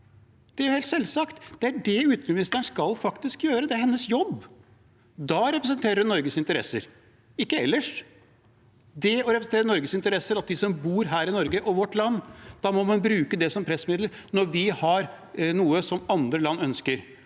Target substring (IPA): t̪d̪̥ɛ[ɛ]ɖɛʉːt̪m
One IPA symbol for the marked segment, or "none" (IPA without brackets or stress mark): æ